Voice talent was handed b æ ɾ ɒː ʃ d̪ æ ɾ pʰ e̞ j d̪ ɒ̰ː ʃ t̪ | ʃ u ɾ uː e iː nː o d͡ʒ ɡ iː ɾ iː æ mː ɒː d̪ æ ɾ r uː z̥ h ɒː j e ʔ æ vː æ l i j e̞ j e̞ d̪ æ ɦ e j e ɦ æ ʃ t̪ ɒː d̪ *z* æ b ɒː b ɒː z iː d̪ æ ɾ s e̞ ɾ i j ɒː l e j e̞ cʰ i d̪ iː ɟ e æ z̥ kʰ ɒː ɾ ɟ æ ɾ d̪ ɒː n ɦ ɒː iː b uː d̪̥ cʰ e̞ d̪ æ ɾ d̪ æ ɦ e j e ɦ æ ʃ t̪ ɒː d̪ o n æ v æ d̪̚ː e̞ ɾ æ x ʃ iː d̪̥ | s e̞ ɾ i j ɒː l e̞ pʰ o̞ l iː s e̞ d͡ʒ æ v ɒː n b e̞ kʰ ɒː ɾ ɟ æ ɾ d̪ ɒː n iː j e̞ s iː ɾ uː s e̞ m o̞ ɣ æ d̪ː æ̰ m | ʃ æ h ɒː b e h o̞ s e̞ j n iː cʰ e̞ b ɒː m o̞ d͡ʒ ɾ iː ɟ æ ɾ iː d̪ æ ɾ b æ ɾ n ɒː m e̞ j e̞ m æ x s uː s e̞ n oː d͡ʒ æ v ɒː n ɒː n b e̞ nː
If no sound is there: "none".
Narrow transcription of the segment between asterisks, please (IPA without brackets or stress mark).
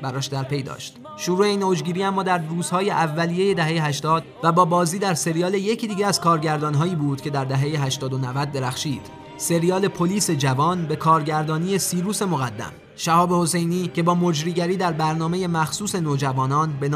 v